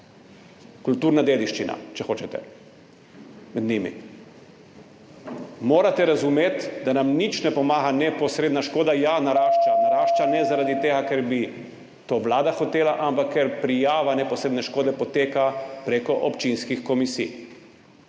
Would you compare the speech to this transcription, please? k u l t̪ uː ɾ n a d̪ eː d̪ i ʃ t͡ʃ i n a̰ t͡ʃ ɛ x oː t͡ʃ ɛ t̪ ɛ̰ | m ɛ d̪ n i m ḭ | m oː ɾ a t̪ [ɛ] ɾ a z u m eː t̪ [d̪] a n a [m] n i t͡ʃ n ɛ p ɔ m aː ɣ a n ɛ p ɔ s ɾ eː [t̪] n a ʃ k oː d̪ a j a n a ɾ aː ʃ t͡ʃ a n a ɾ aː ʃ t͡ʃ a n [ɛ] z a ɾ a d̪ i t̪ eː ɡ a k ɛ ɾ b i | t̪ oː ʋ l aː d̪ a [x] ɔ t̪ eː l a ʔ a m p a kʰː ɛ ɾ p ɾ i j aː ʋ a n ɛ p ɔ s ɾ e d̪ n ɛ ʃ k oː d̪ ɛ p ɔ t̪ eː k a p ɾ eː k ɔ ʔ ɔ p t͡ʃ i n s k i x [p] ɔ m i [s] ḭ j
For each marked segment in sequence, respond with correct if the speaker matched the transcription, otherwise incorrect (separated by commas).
correct, correct, correct, incorrect, correct, correct, incorrect, correct